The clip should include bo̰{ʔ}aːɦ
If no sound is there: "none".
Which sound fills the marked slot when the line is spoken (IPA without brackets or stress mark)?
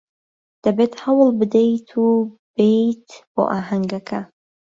ʔ